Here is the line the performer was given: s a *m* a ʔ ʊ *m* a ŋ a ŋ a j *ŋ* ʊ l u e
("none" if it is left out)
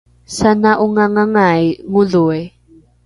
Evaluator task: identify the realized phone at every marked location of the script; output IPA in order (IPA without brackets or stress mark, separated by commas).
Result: n, ŋ, ŋ